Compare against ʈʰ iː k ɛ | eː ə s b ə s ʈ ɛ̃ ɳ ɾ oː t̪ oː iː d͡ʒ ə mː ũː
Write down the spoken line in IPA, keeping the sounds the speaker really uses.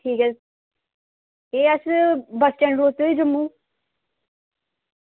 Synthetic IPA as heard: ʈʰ iː k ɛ | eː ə s b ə s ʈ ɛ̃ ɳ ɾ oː t̪ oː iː d͡ʒ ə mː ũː

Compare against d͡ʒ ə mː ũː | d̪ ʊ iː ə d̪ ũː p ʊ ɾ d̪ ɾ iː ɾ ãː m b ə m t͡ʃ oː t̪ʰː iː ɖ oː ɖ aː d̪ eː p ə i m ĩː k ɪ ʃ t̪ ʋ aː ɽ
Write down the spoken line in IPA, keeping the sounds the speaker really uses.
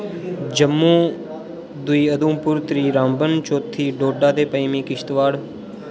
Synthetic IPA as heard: d͡ʒ ə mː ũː | d̪ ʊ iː ə d̪ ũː p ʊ ɾ t̪ ɾ iː ɾ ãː m b ə n t͡ʃ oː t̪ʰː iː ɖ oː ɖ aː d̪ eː p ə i m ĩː k ɪ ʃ t̪ ʋ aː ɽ

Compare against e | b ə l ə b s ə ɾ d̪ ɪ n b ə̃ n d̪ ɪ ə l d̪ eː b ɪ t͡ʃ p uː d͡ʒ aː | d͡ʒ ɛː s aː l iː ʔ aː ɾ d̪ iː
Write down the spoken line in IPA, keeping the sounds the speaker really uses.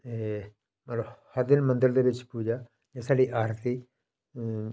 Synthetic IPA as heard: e | m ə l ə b h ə ɾ d̪ ɪ n m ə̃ n d̪ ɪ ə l d̪ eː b ɪ t͡ʃ p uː d͡ʒ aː | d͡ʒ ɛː s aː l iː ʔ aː ɾ t̪ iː

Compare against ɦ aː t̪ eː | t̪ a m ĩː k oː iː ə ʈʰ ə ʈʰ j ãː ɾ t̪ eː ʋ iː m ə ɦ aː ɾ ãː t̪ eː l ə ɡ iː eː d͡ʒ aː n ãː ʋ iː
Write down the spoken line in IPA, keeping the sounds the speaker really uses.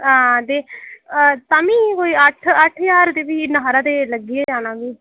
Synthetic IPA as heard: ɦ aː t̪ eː | t̪ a m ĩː k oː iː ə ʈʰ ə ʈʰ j aː ɾ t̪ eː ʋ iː n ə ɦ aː ɾ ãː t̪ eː l ə ɡ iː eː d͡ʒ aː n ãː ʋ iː

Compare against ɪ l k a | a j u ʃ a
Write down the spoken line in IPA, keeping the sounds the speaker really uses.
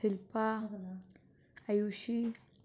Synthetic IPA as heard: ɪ l p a | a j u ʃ i

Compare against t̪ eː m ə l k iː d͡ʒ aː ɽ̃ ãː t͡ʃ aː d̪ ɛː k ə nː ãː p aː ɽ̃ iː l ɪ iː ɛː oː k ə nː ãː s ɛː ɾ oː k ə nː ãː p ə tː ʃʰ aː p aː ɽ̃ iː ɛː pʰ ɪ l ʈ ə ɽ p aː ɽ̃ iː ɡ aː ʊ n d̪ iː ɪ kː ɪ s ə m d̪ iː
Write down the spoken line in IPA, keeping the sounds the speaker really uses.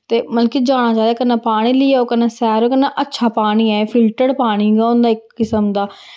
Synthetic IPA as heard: t̪ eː m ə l k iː d͡ʒ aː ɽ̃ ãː t͡ʃ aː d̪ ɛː k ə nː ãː p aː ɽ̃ iː l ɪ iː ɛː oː k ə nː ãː s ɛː ɾ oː k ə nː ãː ʔ ə tː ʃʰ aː p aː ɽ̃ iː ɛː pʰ ɪ l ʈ ə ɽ p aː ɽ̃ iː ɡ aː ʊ n d̪ aː ɪ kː ɪ s ə m d̪ aː

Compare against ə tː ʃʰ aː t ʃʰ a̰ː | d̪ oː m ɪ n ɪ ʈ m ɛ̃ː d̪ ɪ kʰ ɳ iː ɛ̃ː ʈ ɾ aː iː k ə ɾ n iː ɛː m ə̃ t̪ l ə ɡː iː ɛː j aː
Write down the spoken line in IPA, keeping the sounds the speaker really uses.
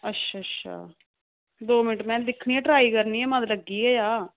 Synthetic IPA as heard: ə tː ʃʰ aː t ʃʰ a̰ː | d̪ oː m ɪ n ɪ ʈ m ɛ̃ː d̪ ɪ kʰ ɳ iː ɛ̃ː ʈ ɾ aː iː k ə ɾ n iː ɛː m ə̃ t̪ l ə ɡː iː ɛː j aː

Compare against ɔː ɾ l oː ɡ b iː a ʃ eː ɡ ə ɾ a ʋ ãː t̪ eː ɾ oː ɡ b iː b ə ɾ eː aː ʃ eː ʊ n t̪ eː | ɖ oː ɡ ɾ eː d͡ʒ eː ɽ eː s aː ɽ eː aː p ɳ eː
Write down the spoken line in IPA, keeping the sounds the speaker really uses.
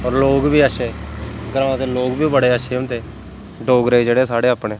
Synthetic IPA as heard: ɔː ɾ l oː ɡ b iː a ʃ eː ɡ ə ɾ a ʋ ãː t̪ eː l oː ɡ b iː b ə ɽ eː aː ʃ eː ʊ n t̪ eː | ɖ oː ɡ ɾ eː d͡ʒ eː ɽ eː s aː ɽ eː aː p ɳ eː

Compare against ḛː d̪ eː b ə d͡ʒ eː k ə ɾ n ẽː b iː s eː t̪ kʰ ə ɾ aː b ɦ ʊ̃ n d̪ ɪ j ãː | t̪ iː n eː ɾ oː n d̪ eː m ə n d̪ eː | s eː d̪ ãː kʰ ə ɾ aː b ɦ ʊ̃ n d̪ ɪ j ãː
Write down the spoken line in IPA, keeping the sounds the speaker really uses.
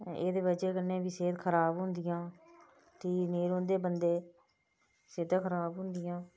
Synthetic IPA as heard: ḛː d̪ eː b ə d͡ʒ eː k ə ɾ n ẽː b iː s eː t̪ kʰ ə ɾ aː b ɦ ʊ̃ n d̪ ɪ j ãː | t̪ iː n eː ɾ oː n d̪ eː b ə n d̪ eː | s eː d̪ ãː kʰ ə ɾ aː b ɦ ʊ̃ n d̪ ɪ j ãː

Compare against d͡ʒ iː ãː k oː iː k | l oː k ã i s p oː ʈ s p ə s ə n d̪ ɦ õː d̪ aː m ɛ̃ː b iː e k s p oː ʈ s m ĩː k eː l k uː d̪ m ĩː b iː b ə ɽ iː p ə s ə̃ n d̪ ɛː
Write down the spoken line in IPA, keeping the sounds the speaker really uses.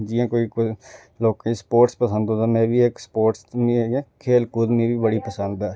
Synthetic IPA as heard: d͡ʒ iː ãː k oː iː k | l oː k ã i s p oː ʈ s p ə s ə n d̪ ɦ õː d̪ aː m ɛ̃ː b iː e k s p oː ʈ s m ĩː kʰ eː l k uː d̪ m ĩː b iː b ə ɽ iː p ə s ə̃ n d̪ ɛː

